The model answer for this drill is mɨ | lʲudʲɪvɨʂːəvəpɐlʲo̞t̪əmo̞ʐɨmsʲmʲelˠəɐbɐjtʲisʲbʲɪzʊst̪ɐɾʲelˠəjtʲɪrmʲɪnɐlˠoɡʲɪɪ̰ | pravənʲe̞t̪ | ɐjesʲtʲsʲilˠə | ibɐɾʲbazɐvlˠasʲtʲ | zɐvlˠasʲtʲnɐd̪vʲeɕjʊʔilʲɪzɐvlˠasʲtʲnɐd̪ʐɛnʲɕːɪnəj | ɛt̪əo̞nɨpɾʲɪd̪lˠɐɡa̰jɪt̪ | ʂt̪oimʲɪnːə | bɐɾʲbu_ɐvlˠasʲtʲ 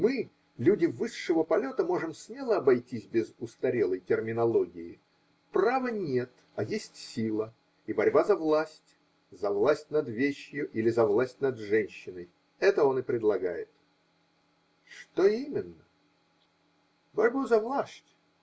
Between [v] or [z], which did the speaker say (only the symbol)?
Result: z